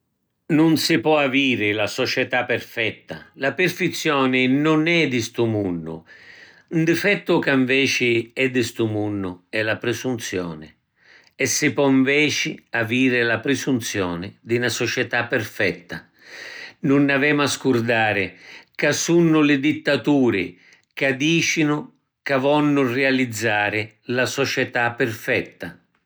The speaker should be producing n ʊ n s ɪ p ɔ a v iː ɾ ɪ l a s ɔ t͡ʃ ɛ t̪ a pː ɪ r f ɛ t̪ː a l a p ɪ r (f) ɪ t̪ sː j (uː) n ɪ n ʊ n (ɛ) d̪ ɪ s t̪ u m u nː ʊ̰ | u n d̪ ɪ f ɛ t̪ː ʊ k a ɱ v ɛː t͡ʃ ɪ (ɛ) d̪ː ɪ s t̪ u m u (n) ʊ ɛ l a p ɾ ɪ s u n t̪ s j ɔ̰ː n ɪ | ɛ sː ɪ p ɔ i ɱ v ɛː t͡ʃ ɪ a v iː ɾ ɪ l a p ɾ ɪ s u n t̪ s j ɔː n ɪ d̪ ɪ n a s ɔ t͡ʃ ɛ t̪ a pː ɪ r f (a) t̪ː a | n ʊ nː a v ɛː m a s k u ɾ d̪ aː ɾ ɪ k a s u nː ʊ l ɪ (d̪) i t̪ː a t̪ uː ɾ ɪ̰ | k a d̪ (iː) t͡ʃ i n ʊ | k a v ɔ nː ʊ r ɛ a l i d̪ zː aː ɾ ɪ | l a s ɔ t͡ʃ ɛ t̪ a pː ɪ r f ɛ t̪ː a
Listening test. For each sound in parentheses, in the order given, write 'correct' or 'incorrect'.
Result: correct, incorrect: ɔː, correct, correct, incorrect: nː, incorrect: ɛ, correct, correct

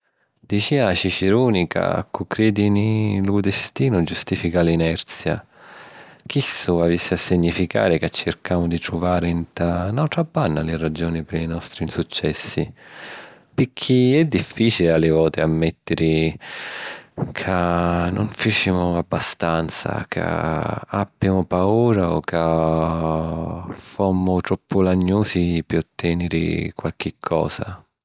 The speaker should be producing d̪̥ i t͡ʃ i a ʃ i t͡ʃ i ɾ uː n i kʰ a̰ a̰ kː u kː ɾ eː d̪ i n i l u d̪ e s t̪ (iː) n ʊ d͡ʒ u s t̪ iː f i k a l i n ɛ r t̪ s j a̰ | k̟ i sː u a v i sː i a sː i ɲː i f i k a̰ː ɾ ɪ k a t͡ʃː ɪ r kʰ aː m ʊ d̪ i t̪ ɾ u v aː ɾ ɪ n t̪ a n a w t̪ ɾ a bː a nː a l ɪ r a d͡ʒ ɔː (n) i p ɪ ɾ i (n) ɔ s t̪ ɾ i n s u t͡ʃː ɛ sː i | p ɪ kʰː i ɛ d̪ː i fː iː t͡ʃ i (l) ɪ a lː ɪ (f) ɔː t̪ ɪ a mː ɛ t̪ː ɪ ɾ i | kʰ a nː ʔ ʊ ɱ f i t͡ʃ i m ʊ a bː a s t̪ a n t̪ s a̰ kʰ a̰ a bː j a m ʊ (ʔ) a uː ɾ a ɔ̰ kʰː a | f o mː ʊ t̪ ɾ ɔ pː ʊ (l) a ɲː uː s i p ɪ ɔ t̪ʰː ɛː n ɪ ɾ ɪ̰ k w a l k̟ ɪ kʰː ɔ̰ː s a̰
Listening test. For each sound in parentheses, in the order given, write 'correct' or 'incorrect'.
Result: correct, correct, correct, correct, incorrect: v, incorrect: p, correct

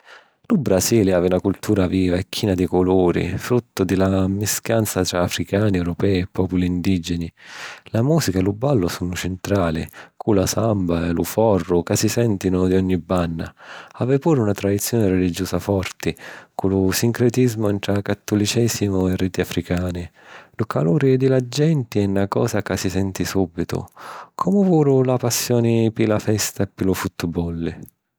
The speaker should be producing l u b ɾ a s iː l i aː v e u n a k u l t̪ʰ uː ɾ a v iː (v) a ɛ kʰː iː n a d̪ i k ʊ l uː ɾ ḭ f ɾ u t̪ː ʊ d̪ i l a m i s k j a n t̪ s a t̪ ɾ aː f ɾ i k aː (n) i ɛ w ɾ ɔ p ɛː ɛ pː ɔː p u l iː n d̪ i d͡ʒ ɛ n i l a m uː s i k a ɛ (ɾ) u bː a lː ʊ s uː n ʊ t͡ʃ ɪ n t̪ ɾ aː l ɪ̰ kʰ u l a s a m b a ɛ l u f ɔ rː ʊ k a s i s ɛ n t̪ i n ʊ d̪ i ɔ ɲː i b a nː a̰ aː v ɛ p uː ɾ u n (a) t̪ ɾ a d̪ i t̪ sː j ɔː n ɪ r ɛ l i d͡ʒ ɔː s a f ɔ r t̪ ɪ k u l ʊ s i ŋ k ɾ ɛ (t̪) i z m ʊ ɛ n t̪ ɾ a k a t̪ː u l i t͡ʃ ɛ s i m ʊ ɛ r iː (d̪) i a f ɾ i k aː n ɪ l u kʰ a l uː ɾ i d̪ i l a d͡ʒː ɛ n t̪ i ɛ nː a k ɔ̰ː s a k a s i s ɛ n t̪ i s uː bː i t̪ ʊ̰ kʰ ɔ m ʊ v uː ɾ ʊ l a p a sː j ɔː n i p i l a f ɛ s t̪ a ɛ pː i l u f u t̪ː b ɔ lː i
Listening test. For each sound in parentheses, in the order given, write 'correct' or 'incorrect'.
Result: correct, correct, incorrect: l, correct, correct, incorrect: t̪

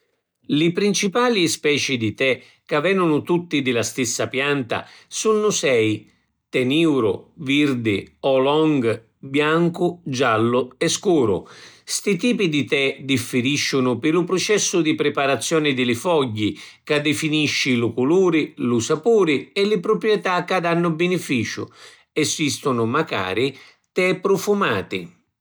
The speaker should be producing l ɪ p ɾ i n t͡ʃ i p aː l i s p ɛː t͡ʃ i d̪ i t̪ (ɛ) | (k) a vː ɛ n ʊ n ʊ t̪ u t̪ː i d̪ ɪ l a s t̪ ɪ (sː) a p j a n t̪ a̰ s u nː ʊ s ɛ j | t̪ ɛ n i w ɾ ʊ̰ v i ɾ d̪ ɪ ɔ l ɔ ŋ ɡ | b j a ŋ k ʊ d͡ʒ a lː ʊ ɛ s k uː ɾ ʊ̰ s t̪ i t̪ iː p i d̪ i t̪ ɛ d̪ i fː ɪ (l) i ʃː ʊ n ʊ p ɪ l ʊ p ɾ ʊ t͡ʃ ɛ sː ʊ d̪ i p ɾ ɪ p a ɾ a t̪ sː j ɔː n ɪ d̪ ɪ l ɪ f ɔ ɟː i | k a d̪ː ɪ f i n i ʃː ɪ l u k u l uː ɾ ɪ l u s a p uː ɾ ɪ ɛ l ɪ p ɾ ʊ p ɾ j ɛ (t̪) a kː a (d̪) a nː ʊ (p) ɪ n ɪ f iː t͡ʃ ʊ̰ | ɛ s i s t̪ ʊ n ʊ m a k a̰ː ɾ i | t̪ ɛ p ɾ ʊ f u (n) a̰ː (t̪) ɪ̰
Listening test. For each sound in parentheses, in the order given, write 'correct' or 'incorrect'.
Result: correct, correct, correct, incorrect: ɾ, correct, correct, incorrect: b, incorrect: m, correct

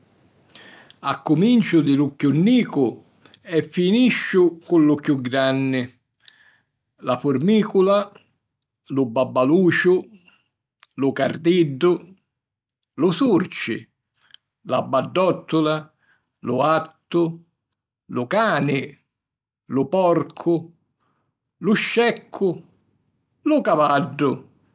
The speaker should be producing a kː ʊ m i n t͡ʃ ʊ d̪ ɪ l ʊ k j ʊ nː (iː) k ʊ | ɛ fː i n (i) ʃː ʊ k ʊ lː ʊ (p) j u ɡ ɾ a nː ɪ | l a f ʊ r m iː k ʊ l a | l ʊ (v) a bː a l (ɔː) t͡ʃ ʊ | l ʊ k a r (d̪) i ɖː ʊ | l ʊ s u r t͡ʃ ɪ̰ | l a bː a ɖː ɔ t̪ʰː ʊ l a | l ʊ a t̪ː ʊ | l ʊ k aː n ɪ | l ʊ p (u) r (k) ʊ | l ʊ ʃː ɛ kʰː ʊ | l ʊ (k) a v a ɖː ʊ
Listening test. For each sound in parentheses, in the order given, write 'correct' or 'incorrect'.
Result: correct, correct, incorrect: k, incorrect: b, incorrect: uː, correct, incorrect: ɔ, incorrect: kʰ, correct

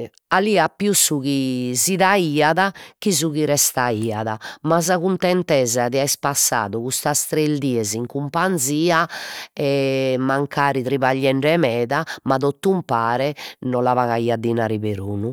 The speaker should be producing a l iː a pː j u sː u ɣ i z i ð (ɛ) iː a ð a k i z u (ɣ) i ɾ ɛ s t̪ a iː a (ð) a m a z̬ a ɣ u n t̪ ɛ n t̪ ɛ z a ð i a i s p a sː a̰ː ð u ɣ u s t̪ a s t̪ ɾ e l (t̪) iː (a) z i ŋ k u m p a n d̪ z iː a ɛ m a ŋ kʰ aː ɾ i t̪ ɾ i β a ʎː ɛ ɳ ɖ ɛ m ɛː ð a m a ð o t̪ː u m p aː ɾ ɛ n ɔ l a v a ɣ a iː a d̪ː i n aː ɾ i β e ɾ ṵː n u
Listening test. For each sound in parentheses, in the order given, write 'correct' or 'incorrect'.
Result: incorrect: a, correct, correct, incorrect: d̪, incorrect: ɛ

